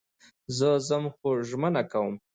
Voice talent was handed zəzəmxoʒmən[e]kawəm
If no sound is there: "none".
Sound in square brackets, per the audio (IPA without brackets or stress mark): a